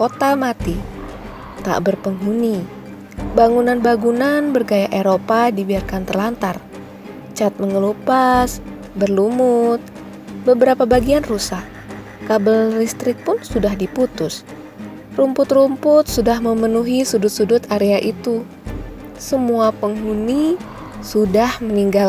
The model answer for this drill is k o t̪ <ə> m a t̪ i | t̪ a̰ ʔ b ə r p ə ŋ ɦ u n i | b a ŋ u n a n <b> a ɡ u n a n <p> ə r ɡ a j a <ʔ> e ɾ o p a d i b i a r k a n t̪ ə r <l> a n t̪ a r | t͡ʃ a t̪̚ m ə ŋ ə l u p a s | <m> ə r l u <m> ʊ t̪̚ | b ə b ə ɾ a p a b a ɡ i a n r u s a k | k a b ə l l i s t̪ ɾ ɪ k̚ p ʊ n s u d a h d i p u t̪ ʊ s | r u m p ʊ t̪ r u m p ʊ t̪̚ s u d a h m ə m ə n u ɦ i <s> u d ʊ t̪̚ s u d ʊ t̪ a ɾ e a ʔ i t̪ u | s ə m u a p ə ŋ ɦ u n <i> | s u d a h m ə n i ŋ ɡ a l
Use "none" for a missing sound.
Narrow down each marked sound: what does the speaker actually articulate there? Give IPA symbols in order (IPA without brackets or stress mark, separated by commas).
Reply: a, b, b, ʔ, l, b, m, s, i